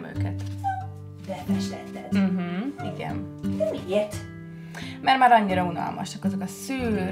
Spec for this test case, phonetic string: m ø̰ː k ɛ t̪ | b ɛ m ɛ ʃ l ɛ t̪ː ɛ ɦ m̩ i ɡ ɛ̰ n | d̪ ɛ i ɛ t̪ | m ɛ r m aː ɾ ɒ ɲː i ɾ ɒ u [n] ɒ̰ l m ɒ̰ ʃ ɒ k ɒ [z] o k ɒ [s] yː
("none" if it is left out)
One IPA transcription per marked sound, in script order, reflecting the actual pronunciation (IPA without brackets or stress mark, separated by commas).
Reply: n, z, s